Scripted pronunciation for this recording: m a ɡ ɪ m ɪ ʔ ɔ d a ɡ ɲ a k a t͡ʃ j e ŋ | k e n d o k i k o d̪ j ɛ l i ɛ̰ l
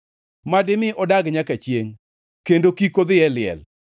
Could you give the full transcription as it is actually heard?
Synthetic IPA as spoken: m a d ɪ m ɪ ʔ ɔ d a ɡ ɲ a k a t͡ʃ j e ŋ | k e n d o k i k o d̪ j ɛ l ɪ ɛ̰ l